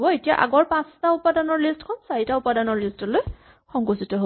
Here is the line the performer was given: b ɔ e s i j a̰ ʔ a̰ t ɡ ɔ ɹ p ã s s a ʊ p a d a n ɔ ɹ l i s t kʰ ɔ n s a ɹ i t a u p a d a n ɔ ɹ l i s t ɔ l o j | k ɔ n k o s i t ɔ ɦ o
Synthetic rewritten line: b ɔ e t i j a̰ ʔ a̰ ɡ ɔ ɹ p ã s t a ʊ p a d a n ɔ ɹ l i s t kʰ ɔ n s a ɹ i t a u p a d a n ɔ ɹ l i s t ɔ l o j | x ɔ ŋ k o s i t ɔ ɦ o

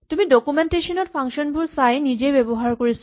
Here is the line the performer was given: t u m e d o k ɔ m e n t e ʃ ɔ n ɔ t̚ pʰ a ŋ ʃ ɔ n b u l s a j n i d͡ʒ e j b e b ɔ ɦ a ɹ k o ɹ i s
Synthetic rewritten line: t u m i d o k u m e n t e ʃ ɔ n ɔ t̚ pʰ a ŋ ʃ ɔ n b u ɹ s a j n i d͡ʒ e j b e b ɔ ɦ a ɹ k o ɹ i s

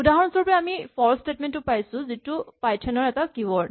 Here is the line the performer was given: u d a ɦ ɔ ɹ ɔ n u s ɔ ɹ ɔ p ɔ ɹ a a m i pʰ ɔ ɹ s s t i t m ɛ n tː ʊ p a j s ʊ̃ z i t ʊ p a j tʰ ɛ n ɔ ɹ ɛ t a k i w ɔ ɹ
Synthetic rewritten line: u d a ɦ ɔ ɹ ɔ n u s ɔ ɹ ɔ p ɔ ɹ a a m i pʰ ɔ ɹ s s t e t m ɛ n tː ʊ p a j s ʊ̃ z i t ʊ p a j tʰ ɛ n ɔ ɹ ɛ t a k i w ɔ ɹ

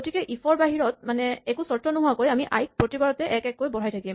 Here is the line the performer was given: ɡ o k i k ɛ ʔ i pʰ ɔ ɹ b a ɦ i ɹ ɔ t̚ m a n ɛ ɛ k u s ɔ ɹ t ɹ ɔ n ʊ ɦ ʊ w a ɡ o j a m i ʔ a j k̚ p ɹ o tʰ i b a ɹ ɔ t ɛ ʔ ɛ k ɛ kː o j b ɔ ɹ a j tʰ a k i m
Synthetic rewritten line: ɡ o t i k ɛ ʔ i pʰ ɔ ɹ b a ɦ i ɹ ɔ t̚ m a n ɛ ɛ k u s ɔ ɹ t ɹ ɔ n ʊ ɦ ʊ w a k o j a m i ʔ a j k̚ p ɹ o t i b a ɹ ɔ t ɛ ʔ ɛ k ɛ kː o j b ɔ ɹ a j tʰ a k i m

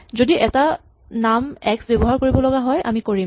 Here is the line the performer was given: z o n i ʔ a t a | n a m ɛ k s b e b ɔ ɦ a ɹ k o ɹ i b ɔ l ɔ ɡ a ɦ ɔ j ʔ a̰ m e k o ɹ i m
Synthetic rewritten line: z o d i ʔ ɛ t a | n a m ɛ k s b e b ɔ ɦ a ɹ k o ɹ i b ɔ l ɔ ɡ a ɦ ɔ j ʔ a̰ m i k o ɹ i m

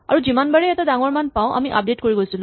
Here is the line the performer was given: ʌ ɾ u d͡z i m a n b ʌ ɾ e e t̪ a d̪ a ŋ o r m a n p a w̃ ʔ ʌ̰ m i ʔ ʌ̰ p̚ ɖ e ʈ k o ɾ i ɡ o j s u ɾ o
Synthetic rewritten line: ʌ ɾ u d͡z i m a n b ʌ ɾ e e t̪ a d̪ a ŋ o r m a n p a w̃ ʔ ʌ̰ m i ʔ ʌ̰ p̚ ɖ e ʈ k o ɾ i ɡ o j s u l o

